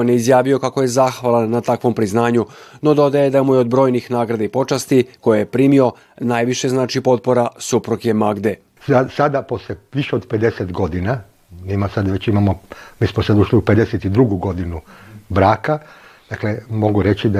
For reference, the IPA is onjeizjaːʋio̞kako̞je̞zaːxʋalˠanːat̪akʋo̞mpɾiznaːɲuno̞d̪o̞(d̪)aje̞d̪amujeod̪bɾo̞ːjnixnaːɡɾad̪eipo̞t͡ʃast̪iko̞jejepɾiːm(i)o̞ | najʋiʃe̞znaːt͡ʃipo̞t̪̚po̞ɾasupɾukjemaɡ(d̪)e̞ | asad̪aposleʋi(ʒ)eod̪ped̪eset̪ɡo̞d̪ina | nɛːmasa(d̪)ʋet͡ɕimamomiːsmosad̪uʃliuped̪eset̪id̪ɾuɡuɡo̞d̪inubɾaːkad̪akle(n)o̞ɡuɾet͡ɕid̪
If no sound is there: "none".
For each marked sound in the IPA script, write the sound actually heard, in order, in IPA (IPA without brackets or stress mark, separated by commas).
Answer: d̪, i, d̪, ʃ, d̪, m